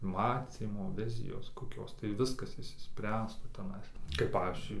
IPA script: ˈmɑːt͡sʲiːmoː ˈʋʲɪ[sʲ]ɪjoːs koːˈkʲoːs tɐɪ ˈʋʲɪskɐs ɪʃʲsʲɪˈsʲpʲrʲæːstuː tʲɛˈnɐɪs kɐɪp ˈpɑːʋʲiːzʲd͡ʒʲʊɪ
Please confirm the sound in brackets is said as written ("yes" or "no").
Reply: no